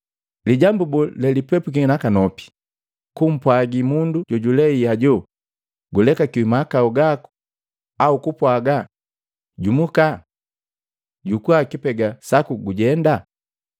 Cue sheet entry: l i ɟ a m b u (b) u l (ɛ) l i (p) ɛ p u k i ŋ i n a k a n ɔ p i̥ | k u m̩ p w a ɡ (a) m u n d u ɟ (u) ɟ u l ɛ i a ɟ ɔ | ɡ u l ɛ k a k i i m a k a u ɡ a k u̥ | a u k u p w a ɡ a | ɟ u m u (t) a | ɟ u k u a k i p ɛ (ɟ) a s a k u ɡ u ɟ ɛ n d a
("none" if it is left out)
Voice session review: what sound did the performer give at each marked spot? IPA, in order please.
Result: b, ɛ, p, i, ɔ, k, ɡ

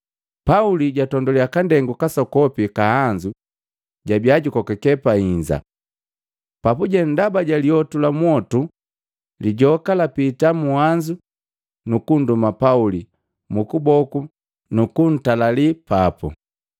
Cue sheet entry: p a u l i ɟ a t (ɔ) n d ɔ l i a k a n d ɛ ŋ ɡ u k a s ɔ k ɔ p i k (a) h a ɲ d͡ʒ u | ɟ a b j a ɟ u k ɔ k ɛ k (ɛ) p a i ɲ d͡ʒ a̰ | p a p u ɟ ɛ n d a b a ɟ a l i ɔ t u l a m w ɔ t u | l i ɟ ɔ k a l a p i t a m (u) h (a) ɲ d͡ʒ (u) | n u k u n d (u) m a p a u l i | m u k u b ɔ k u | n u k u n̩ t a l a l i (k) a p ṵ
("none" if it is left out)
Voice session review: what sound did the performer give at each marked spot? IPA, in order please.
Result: ɔ, a, ɛ, u, a, u, u, p

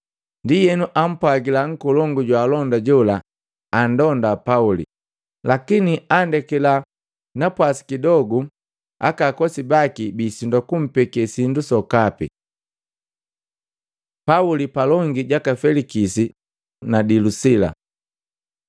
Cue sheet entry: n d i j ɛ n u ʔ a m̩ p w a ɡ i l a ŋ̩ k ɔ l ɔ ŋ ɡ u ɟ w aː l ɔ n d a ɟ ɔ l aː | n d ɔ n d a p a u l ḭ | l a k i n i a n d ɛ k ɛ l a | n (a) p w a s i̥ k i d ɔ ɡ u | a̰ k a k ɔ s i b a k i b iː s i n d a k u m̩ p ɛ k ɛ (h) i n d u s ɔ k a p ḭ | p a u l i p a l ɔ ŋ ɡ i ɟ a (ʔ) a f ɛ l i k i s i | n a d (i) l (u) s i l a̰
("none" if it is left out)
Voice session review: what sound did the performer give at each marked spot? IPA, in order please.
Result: a, s, k, i, u

